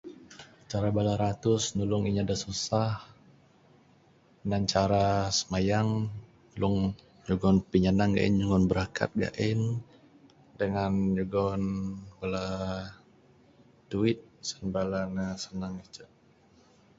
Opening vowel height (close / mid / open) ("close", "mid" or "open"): open